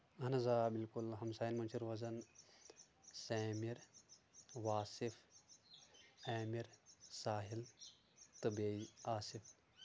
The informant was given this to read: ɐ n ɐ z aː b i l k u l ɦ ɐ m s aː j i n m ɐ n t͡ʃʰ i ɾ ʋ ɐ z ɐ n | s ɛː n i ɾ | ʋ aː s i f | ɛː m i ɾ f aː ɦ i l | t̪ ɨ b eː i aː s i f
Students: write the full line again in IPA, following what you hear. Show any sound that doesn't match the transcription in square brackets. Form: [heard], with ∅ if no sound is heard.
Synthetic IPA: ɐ n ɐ z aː b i l k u l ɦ ɐ m s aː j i n m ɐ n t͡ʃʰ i ɾ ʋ ɐ z ɐ n | s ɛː [m] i ɾ | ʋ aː s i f | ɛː m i ɾ [s] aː ɦ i l | t̪ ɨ b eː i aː s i f